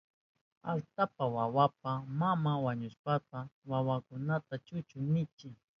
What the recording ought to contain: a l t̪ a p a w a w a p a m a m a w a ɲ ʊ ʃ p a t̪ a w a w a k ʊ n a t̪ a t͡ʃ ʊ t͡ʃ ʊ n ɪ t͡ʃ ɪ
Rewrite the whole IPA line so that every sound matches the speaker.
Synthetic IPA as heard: a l t̪ a p a w a w a p a m a m a w a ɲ ʊ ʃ p a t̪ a w a w a k ʊ n a t̪ a t͡ʃ ʊ t͡ʃ ʊ n ɪ t͡ʃ ɪ